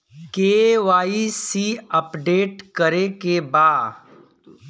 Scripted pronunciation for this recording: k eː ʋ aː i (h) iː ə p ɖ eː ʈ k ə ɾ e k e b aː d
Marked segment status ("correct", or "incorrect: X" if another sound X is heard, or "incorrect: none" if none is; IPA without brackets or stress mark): incorrect: s